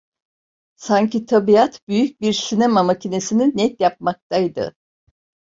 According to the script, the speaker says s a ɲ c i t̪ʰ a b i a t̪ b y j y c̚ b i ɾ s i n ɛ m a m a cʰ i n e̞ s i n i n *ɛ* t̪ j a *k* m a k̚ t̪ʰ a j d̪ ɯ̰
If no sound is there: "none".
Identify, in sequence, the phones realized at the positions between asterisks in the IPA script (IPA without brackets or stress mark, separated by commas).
ɛ, p